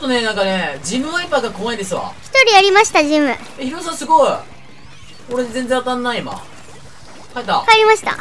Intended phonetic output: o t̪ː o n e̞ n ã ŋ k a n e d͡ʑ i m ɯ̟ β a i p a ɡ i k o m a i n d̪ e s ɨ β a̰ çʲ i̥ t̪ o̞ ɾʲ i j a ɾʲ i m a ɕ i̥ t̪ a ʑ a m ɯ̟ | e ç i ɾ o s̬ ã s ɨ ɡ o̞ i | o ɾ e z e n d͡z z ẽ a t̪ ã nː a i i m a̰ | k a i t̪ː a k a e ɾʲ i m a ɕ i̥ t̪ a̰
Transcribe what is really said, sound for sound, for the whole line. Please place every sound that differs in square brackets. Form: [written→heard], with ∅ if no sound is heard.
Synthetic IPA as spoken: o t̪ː o n e̞ n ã ŋ k a n e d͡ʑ i m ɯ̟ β a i p a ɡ [i→a] k o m a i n d̪ e s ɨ β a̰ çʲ i̥ t̪ o̞ ɾʲ i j a ɾʲ i m a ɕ i̥ t̪ a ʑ [a→i] m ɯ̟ | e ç i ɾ o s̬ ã s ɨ ɡ o̞ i | o ɾ e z e n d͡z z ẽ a t̪ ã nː a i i m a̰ | k a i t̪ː a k a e ɾʲ i m a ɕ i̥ t̪ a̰